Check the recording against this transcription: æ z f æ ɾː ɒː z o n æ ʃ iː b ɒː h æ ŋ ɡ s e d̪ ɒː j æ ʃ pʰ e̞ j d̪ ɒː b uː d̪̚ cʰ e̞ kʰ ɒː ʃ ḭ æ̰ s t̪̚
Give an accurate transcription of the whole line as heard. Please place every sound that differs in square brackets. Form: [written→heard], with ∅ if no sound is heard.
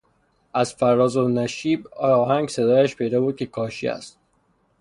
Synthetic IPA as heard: æ z f æ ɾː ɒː z o n æ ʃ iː b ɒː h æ ŋ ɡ s e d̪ ɒː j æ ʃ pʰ e̞ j d̪ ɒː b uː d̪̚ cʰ e̞ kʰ ɒː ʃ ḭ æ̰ s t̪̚